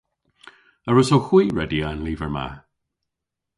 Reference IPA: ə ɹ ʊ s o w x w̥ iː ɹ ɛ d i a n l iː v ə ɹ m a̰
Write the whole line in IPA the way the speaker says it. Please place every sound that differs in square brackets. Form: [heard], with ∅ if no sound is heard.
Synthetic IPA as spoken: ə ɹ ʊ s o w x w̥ iː ɹ ɛ d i a n l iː v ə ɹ m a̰